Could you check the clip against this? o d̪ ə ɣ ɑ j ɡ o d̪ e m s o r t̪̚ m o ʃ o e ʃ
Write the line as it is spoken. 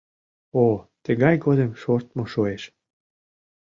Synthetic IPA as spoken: o t̪ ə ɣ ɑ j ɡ o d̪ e m ʃ o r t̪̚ m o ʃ o e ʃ